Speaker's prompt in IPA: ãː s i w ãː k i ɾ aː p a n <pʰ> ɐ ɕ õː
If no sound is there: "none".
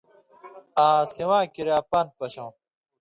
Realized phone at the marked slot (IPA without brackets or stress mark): p